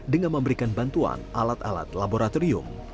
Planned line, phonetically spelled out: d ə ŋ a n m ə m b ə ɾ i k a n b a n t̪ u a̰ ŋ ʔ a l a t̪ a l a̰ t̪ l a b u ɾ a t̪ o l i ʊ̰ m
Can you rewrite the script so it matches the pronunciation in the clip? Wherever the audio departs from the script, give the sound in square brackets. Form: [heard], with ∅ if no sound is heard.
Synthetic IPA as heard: d ə ŋ a n m ə m b ə ɾ i k a n b a n t̪ u a̰ [n] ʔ a l a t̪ a l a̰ t̪ l a b [o] ɾ a t̪ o [ɾ] i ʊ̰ m